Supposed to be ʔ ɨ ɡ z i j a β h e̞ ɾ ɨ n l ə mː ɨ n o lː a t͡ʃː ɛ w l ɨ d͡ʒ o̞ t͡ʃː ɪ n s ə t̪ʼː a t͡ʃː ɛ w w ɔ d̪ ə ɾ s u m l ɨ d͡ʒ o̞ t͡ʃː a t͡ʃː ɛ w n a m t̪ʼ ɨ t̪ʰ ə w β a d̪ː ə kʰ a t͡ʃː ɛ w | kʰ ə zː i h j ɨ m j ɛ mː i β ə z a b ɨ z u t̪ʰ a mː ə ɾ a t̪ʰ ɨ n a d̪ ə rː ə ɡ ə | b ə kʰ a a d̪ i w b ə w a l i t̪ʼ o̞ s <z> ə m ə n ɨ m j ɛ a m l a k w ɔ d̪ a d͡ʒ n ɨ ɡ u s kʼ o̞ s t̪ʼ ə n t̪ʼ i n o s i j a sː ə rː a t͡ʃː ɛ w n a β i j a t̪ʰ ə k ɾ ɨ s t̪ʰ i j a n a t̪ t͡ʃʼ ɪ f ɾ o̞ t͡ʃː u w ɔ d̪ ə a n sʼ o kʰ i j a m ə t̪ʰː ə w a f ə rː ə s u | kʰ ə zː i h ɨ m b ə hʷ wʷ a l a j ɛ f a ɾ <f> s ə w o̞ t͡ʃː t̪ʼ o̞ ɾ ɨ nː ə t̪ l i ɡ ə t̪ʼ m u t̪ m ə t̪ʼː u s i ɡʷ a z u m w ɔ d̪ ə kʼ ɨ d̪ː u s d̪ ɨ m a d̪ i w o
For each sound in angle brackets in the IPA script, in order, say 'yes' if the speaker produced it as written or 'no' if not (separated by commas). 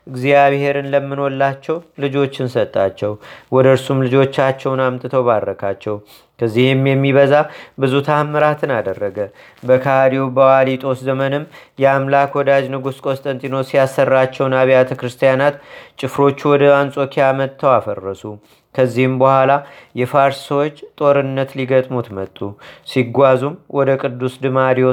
yes, no